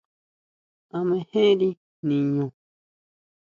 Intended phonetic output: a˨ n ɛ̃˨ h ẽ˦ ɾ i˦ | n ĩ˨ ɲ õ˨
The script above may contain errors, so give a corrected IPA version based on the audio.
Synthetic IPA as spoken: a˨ m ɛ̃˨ h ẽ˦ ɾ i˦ | n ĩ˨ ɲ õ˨